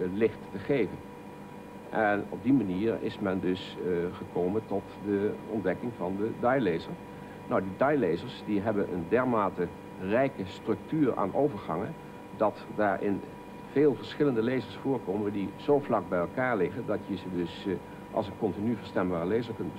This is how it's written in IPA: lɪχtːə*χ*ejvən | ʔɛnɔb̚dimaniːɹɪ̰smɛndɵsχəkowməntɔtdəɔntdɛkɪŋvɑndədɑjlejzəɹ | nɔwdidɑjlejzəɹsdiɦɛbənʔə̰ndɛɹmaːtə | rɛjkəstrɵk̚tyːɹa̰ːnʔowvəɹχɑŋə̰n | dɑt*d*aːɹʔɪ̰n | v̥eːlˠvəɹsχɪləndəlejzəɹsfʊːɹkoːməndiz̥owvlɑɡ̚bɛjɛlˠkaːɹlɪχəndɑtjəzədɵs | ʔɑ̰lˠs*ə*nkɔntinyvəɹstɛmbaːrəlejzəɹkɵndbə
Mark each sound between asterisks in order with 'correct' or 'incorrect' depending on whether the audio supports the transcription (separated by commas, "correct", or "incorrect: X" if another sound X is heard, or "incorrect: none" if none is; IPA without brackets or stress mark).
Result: correct, correct, correct